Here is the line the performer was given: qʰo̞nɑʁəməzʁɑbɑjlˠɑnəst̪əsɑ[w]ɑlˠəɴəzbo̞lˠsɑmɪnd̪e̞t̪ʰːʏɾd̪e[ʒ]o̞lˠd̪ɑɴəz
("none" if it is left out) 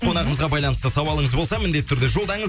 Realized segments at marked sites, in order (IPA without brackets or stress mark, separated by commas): w, ʒ